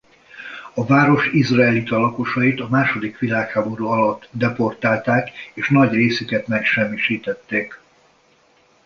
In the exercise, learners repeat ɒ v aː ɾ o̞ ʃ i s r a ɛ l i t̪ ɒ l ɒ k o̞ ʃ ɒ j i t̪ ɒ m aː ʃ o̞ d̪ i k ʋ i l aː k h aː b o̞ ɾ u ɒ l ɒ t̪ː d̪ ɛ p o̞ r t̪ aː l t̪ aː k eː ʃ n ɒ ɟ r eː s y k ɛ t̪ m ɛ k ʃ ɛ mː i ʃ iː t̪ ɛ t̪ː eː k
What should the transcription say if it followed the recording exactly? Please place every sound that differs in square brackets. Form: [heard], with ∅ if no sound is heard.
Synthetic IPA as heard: ɒ v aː ɾ o̞ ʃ i [z] r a ɛ l i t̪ ɒ l ɒ k o̞ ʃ ɒ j i t̪ ɒ m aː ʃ o̞ d̪ i k ʋ i l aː k h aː b o̞ ɾ u ɒ l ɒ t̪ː d̪ ɛ p o̞ r t̪ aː l t̪ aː k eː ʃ n ɒ ɟ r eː s y k ɛ t̪ m ɛ k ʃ ɛ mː i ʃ iː t̪ ɛ t̪ː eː k